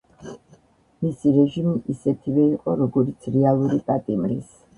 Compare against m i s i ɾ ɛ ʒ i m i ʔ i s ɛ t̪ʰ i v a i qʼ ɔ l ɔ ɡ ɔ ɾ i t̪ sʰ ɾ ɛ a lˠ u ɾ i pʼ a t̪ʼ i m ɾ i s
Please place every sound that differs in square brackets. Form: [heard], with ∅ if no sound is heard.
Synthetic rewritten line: m i s i ɾ ɛ ʒ i m i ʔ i s ɛ t̪ʰ i v [ɛ] i qʼ ɔ [ɾ] ɔ ɡ ɔ ɾ i t̪ sʰ ɾ ɛ a lˠ u ɾ i pʼ a t̪ʼ i m ɾ i s